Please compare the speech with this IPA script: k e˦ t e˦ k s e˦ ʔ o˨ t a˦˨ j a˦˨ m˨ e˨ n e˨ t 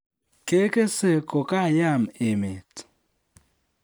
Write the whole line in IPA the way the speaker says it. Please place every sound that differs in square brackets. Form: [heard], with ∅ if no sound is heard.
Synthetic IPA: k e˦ [k] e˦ [∅] s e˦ [k] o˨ [k] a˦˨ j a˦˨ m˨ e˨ [m] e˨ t